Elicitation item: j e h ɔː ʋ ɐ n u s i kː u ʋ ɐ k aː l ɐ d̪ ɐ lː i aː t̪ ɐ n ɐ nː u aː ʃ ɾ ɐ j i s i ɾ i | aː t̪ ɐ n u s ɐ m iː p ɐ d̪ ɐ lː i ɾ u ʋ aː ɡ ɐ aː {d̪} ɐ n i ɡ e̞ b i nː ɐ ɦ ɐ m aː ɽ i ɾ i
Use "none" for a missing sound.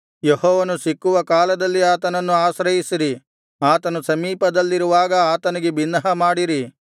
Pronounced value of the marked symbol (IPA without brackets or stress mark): t̪